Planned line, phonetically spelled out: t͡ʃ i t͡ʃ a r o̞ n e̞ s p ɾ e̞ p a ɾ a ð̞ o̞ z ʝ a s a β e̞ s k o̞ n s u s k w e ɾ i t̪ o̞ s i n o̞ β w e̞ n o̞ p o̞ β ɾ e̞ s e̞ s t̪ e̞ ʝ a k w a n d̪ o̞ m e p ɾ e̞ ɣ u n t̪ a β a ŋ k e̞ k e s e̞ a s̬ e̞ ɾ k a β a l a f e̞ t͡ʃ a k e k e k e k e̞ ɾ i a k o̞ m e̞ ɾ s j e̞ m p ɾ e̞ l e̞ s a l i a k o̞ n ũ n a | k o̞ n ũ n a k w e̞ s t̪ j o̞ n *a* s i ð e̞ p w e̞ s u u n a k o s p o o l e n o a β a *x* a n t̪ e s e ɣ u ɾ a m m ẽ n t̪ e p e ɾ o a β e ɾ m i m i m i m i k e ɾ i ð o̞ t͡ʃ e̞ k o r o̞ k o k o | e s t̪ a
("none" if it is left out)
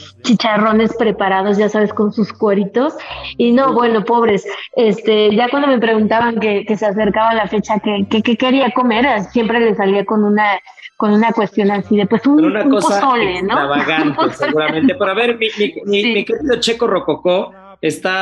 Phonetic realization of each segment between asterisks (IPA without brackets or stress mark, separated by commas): a, ɣ